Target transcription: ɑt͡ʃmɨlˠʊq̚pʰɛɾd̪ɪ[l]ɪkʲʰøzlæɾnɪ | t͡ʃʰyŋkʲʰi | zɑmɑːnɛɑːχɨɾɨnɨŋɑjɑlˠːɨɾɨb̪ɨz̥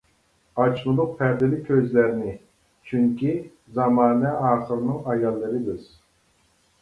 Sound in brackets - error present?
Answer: no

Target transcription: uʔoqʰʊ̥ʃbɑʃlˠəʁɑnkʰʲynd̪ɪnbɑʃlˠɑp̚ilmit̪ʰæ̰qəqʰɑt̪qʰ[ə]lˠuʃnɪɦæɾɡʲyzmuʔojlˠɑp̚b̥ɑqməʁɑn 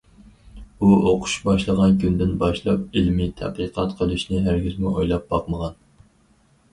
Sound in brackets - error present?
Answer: no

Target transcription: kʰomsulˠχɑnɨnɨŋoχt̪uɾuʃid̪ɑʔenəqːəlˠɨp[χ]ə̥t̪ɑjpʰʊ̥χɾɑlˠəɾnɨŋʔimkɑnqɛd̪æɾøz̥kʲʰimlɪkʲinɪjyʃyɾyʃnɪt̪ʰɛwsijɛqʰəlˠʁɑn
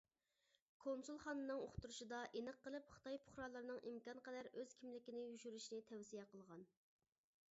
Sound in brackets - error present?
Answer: no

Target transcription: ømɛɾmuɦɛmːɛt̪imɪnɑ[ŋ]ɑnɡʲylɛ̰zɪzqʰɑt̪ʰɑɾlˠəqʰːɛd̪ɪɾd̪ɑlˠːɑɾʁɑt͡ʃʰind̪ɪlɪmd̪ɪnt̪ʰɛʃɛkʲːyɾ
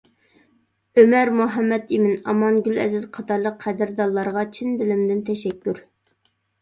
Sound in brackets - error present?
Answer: yes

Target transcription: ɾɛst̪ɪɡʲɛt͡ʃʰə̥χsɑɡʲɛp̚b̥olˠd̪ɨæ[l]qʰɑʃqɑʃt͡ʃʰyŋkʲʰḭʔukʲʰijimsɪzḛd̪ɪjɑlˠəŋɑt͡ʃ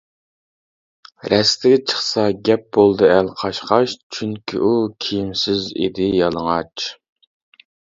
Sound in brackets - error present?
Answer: no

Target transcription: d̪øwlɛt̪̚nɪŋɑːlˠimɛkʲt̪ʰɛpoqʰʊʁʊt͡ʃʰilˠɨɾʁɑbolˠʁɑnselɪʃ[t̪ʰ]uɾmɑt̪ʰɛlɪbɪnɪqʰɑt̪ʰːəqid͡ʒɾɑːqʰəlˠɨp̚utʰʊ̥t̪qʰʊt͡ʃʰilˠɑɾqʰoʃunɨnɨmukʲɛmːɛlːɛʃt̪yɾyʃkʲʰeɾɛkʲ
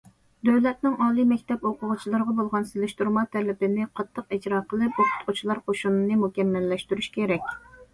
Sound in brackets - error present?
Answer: yes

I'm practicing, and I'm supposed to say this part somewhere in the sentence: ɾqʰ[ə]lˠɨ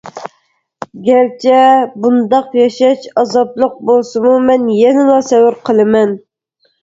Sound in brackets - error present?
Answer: no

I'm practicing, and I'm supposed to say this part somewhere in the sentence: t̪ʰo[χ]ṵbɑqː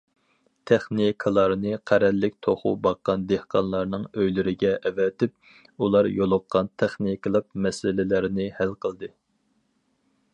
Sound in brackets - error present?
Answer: no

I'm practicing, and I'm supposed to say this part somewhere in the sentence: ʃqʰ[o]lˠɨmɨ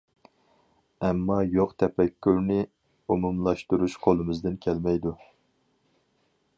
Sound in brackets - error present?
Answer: no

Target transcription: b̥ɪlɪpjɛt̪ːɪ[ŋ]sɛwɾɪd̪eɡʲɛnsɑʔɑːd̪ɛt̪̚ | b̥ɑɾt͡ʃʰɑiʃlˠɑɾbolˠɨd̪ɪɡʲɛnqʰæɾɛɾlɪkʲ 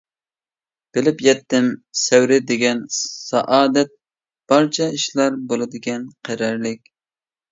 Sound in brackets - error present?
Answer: yes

